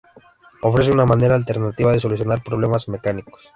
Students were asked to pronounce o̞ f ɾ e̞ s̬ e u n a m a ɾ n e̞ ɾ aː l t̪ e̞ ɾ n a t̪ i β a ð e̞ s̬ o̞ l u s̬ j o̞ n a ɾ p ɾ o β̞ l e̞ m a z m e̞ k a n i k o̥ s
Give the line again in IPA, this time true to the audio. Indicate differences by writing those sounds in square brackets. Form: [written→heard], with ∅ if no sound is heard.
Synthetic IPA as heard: o̞ f ɾ e̞ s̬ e u n a m a [ɾ→∅] n e̞ ɾ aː l t̪ e̞ ɾ n a t̪ i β a ð e̞ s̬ o̞ l u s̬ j o̞ n a ɾ p ɾ o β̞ l e̞ m a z m e̞ k a n i k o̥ s